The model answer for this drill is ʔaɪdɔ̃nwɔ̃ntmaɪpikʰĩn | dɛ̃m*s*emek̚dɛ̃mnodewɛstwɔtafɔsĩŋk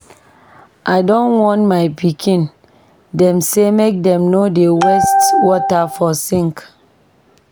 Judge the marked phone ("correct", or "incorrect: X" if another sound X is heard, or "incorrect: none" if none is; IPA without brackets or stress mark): correct